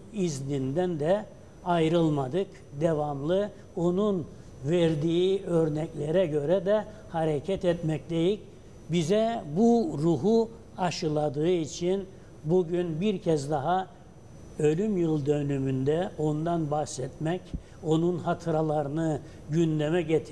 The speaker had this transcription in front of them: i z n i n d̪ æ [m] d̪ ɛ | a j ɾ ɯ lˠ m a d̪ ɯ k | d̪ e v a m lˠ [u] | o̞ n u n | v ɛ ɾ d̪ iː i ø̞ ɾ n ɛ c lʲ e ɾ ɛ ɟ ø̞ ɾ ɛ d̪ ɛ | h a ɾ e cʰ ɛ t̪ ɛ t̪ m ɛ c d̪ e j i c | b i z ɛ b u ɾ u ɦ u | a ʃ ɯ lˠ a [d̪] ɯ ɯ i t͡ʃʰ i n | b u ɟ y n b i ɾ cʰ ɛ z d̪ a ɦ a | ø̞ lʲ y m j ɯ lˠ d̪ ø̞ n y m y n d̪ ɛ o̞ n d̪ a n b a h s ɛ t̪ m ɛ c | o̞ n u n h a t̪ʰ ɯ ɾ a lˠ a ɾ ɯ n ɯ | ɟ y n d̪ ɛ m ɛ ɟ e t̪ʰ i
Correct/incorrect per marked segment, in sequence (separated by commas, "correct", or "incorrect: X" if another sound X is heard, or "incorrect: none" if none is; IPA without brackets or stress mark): incorrect: n, incorrect: ɯ, correct